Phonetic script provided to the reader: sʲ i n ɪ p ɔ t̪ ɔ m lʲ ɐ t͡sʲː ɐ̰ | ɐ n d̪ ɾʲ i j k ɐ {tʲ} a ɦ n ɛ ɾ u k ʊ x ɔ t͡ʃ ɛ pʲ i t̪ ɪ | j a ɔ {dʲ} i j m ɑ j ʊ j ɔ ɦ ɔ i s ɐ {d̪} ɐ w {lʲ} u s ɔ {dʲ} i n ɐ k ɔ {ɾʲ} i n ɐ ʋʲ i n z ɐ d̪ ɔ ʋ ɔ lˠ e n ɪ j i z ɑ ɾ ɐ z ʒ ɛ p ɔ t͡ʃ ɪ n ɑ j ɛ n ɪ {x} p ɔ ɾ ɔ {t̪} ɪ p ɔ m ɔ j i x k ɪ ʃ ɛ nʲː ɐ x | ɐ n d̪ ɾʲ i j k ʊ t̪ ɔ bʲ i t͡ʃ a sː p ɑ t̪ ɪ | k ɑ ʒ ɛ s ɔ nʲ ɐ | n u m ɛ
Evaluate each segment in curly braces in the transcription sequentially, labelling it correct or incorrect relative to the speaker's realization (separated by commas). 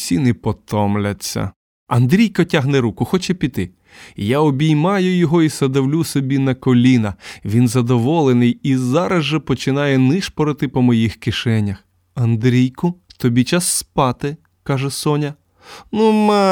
correct, incorrect, correct, correct, incorrect, incorrect, incorrect, correct